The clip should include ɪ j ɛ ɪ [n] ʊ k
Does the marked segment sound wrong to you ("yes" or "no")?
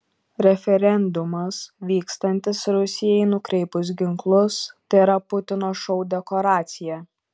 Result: no